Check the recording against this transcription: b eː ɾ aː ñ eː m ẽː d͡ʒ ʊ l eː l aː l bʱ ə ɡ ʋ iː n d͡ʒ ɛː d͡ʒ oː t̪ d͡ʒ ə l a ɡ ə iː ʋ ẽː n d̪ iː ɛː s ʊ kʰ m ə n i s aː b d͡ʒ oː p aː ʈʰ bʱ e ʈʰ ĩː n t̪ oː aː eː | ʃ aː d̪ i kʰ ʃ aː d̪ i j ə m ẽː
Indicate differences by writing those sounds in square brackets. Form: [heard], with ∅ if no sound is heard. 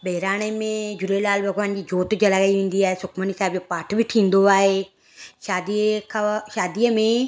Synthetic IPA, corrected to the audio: b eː ɾ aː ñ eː m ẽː d͡ʒ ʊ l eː l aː l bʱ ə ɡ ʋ [aː] n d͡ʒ [iː] d͡ʒ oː t̪ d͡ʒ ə l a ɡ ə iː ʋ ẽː n d̪ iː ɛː s ʊ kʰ m ə n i s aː b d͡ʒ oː p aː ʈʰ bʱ [i] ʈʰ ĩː n [d̪] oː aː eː | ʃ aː d̪ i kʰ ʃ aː d̪ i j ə m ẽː